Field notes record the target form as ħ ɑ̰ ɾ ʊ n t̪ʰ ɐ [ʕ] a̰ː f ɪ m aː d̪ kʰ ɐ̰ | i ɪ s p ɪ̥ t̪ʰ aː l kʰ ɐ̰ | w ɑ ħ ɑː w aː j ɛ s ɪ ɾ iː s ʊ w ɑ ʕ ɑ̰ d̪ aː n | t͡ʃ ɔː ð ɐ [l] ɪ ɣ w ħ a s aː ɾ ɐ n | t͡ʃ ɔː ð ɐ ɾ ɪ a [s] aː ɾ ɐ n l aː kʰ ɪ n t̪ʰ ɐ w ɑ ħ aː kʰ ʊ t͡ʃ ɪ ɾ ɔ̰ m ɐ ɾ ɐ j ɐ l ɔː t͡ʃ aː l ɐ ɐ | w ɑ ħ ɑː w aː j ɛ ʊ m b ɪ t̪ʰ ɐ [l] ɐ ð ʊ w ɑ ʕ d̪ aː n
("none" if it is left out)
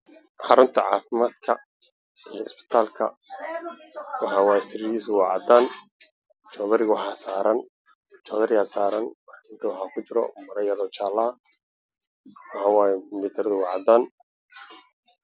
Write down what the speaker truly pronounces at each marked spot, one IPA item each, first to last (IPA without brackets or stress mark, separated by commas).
ʕ, ɾ, s, ɾ